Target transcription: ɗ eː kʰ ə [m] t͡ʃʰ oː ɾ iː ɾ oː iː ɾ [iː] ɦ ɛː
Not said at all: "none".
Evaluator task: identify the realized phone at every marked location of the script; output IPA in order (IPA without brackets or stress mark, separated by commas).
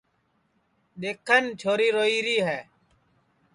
n, iː